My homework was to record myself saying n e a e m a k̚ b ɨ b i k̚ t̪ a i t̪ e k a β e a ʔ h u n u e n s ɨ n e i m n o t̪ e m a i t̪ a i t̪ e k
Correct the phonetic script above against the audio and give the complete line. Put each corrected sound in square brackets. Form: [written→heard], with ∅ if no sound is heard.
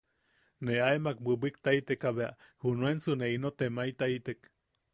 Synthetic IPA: n e a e m a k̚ b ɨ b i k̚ t̪ a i t̪ e k a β e a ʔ h u n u e n s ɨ n e i [m→∅] n o t̪ e m a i t̪ a i t̪ e k